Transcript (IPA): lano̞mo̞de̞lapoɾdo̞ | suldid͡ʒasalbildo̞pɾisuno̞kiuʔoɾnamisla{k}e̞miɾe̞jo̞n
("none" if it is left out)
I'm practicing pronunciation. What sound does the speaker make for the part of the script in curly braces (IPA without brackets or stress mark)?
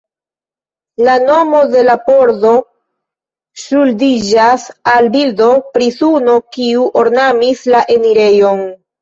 ʔ